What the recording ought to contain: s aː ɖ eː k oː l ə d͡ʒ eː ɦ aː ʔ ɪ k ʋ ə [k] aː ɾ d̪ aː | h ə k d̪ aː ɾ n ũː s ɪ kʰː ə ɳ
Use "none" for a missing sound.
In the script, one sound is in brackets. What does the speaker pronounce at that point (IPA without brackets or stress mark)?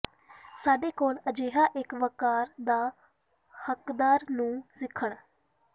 k